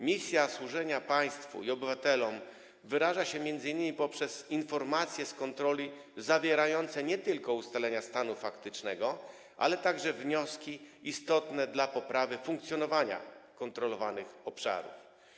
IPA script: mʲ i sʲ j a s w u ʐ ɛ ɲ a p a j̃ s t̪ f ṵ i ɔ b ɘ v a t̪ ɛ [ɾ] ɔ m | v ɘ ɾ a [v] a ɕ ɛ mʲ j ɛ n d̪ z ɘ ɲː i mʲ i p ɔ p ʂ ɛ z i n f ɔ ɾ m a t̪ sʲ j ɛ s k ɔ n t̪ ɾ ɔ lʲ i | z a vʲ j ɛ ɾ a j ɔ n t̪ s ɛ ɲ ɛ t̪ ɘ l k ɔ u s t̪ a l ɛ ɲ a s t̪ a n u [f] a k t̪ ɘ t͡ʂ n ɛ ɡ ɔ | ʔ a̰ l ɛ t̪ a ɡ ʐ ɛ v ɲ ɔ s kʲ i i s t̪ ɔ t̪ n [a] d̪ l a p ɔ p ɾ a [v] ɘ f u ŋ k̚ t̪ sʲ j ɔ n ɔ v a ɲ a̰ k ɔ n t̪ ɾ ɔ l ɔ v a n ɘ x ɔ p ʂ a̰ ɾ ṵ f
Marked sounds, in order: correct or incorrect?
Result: incorrect, incorrect, correct, incorrect, correct

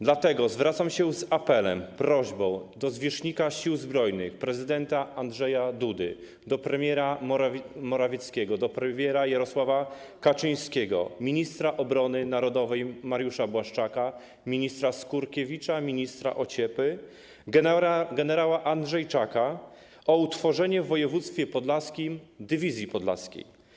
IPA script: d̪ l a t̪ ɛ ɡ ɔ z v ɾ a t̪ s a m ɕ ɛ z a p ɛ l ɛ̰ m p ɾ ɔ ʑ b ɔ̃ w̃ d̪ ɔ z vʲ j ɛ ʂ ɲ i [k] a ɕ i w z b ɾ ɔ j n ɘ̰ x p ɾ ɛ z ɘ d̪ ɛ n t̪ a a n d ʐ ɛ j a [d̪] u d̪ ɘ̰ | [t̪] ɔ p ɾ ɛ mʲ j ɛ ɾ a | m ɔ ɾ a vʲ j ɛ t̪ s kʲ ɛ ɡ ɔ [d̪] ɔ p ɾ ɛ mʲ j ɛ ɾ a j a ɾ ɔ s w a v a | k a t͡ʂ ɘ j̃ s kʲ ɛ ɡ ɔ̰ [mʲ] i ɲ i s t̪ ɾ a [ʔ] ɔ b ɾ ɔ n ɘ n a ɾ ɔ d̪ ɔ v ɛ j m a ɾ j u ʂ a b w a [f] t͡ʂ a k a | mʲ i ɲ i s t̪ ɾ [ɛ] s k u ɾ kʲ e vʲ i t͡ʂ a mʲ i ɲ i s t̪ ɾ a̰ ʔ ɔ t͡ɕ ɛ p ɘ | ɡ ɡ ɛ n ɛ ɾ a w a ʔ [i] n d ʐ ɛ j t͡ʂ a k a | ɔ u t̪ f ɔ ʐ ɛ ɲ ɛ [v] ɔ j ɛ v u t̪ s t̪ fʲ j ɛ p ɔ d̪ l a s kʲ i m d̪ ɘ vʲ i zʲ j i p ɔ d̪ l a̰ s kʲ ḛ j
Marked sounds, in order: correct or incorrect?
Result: correct, correct, incorrect, correct, correct, correct, incorrect, incorrect, incorrect, incorrect

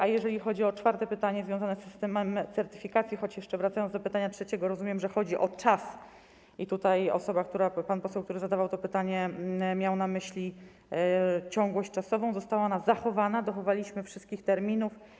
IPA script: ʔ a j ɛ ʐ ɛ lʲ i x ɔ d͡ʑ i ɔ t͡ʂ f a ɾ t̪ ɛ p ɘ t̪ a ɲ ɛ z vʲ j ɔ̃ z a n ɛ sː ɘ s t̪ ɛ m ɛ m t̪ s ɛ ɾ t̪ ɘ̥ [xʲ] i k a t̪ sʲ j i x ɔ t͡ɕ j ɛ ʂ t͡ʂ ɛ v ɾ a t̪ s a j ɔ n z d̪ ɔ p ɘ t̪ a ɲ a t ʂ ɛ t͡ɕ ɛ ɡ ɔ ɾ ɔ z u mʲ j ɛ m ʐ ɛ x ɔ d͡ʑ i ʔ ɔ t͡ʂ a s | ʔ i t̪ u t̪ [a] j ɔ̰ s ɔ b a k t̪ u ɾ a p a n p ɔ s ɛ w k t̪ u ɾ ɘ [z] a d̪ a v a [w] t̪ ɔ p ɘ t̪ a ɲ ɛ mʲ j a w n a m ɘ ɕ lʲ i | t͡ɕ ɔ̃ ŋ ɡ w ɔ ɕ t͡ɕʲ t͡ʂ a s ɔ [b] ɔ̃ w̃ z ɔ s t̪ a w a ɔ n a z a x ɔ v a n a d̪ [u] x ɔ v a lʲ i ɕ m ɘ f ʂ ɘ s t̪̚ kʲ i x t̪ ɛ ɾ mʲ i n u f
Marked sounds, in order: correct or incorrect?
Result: incorrect, correct, correct, correct, incorrect, incorrect

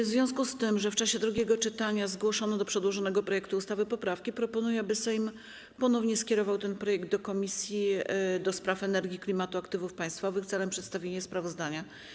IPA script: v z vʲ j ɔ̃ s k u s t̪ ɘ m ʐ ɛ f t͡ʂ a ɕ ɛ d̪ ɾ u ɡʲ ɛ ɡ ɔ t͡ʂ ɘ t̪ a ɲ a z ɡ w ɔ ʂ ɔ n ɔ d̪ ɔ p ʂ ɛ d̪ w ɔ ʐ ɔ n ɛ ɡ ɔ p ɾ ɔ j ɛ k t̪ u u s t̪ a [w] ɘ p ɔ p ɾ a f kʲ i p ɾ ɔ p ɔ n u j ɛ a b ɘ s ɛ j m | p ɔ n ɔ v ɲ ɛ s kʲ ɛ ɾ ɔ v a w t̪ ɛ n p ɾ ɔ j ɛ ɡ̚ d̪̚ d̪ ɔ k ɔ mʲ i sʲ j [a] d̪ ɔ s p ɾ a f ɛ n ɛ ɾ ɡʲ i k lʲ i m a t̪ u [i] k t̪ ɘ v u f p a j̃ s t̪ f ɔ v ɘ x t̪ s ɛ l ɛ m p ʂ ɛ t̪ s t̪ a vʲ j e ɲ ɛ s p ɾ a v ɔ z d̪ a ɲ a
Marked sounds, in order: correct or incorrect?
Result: incorrect, incorrect, incorrect

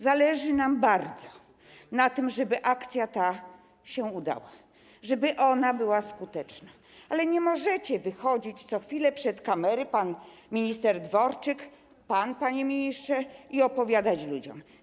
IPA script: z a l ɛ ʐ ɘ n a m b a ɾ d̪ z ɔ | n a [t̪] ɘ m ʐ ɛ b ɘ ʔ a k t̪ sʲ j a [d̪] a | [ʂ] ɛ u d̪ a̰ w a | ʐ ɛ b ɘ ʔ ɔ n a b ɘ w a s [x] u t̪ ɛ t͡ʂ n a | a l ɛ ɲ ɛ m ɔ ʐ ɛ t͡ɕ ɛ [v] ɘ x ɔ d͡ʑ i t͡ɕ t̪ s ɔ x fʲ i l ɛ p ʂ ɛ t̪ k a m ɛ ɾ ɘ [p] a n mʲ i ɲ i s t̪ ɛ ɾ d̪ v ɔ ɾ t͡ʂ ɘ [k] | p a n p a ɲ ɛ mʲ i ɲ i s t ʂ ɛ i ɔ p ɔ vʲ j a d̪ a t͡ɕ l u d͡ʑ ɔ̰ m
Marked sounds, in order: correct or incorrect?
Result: correct, incorrect, incorrect, incorrect, correct, correct, correct

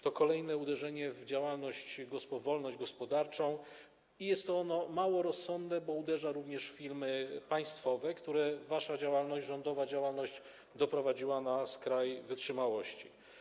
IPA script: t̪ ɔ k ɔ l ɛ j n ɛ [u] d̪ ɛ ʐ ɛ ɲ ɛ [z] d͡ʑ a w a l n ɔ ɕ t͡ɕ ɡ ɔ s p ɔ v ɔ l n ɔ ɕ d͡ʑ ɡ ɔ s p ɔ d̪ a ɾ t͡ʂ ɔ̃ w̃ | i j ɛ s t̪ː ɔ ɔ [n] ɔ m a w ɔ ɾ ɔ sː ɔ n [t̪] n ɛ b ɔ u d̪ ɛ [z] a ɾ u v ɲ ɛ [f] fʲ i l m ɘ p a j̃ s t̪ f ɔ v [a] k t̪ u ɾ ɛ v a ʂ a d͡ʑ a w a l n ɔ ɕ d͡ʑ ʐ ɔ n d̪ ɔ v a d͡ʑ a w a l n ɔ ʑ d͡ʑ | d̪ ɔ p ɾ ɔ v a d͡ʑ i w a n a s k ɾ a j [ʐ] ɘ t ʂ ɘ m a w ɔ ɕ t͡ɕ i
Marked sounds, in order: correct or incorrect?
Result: correct, incorrect, correct, incorrect, incorrect, incorrect, incorrect, incorrect

